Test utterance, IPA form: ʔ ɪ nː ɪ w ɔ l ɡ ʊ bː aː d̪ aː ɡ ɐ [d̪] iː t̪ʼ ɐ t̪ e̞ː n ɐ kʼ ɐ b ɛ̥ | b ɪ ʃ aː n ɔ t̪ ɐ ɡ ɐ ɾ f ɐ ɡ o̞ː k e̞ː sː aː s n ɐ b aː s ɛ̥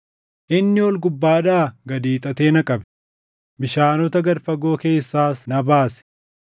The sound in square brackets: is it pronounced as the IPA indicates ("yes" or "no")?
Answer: yes